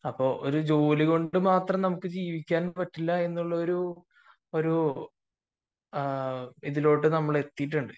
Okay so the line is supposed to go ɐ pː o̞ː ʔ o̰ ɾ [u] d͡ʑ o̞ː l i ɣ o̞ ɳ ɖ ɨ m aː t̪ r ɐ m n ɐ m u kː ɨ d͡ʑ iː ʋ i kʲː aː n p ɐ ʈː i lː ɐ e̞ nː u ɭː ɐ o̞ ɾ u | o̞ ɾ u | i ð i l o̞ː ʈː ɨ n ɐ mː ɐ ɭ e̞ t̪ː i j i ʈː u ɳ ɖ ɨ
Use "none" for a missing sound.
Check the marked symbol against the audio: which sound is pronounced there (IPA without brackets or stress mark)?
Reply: u